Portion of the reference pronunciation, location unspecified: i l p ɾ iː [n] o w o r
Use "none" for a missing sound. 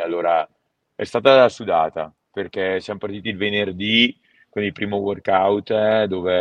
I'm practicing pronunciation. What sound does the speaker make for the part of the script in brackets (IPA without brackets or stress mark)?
m